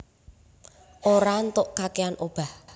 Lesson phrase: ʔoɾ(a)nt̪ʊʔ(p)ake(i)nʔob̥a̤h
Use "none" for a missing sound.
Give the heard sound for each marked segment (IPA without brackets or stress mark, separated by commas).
a, k, a